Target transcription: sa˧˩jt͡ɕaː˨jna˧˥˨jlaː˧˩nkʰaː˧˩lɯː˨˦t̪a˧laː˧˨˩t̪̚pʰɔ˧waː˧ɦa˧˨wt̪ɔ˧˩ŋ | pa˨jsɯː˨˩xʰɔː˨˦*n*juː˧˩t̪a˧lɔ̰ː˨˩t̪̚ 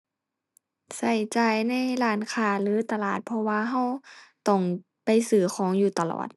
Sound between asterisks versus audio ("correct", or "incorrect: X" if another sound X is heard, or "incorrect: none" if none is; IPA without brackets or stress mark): incorrect: ŋ